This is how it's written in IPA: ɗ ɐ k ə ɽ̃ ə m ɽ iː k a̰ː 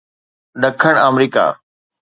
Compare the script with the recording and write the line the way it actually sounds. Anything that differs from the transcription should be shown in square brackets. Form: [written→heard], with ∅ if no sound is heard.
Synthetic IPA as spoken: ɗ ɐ [k→kʰ] ə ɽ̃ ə m [ɽ→ɾ] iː k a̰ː